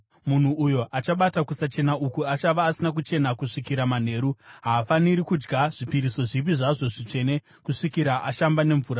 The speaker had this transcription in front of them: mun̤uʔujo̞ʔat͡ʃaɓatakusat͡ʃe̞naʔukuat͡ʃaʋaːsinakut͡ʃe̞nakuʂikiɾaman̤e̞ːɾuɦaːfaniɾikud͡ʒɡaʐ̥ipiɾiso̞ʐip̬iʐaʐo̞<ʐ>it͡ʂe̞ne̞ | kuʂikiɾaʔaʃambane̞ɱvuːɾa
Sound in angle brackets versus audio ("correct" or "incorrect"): correct